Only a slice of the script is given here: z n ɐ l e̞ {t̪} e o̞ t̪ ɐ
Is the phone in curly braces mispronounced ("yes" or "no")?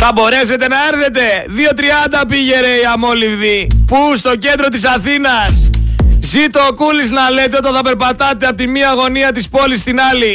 no